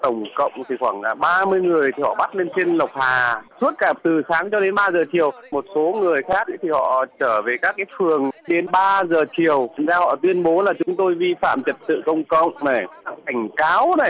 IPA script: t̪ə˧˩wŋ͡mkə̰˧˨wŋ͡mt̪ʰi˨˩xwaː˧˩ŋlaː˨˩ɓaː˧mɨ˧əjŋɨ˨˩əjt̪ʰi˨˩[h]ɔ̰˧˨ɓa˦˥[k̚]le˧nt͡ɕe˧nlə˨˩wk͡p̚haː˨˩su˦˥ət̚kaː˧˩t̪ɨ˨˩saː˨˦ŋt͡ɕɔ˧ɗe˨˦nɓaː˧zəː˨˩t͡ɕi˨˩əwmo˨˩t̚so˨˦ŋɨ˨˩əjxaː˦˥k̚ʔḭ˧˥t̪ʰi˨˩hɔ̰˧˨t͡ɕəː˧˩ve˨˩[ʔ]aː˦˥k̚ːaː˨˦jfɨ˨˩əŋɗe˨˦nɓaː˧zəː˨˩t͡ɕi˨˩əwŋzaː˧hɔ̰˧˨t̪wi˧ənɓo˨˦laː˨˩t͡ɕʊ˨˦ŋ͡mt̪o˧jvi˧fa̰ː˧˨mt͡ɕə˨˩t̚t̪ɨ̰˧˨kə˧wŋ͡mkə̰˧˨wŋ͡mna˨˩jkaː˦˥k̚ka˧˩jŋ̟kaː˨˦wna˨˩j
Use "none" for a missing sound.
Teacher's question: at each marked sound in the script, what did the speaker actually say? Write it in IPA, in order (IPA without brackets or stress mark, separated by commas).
h, t̚, k